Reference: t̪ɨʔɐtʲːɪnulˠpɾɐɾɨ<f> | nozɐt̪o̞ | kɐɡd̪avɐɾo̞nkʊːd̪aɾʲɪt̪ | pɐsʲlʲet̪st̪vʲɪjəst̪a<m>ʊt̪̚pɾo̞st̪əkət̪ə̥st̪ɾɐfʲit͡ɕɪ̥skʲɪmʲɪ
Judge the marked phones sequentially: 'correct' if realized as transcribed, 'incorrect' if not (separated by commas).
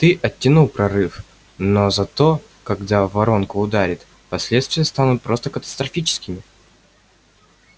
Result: correct, incorrect